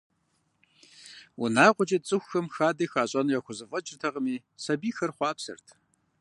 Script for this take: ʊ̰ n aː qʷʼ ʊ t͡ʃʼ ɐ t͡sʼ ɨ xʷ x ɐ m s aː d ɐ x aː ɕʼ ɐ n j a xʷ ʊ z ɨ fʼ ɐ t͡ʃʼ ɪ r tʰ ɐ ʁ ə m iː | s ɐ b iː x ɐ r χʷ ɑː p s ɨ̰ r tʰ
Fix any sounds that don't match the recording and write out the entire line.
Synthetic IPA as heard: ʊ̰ n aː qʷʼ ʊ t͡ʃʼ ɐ t͡sʼ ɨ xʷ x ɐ m x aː d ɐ x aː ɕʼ ɐ n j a xʷ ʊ z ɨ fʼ ɐ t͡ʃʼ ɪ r tʰ ɐ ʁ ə m iː | s ɐ b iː x ɐ r χʷ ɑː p s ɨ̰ r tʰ